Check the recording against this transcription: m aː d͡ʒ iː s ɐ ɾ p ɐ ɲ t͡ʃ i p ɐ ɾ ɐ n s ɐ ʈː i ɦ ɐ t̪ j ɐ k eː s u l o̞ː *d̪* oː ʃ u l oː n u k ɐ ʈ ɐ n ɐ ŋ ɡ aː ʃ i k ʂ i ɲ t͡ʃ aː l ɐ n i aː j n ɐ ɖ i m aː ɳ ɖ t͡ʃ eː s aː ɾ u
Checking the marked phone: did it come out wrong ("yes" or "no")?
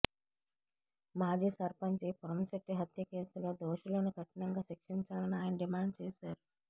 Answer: no